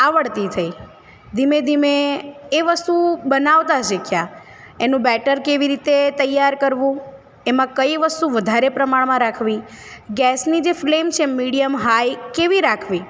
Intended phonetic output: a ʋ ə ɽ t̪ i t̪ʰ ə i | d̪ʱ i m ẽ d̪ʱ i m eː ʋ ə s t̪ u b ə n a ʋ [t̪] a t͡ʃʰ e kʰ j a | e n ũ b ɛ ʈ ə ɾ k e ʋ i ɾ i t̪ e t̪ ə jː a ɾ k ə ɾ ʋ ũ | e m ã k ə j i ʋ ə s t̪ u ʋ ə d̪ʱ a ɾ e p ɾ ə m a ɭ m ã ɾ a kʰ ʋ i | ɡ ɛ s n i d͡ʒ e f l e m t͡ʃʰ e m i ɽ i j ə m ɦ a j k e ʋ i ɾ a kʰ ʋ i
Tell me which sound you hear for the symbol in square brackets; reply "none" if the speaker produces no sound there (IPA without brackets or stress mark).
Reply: t̪